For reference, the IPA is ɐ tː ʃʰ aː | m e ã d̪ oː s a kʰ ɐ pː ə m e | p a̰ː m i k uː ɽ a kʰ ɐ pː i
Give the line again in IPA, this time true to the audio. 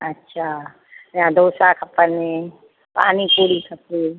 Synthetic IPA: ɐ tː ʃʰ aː | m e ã d̪ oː s a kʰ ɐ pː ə n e | p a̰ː n i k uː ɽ i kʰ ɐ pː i